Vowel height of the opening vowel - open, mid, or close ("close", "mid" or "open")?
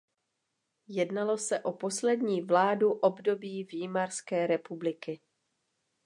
mid